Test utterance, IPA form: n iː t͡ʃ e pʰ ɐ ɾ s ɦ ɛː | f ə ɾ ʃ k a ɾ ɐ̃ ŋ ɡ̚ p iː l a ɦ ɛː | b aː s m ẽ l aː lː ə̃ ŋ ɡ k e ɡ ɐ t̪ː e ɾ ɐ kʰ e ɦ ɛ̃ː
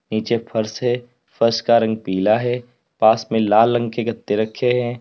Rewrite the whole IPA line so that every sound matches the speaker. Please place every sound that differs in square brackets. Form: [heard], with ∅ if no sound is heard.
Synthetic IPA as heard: n iː t͡ʃ e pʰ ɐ ɾ s ɦ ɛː | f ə ɾ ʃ k a ɾ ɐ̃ ŋ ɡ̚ p iː l a ɦ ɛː | [p] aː s m ẽ l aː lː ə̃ ŋ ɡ k e ɡ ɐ t̪ː e ɾ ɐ kʰ e ɦ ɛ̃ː